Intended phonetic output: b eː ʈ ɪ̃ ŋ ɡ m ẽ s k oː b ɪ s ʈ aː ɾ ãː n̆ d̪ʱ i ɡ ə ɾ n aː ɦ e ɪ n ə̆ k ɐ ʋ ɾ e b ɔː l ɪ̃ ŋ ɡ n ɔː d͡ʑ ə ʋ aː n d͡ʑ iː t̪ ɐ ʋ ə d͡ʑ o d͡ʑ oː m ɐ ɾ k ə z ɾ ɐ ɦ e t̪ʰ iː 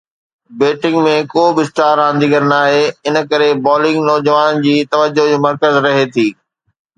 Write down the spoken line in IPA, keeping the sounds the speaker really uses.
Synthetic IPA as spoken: b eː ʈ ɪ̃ ŋ ɡ m ẽ k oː b ɪ s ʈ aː ɾ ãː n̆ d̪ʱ i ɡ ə ɾ n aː ɦ e ɪ n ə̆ k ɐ ɾ e b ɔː l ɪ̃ ŋ ɡ n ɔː d͡ʑ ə ʋ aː n d͡ʑ iː t̪ ɐ ʋ ə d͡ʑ o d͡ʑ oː m ɐ ɾ k ə z ɾ ɐ ɦ e t̪ʰ iː